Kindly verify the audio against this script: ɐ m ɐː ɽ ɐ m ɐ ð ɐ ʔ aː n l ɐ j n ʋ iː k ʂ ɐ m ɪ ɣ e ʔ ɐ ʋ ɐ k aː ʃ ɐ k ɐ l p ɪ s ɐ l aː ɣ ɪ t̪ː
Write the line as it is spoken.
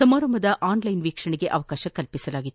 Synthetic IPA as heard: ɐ m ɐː ɾ ɐ m ɐ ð ɐ ʔ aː n l ɐ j n ʋ iː k ʂ ɐ ɳ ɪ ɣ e ʔ ɐ ʋ ɐ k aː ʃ ɐ k ɐ l p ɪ s ɐ l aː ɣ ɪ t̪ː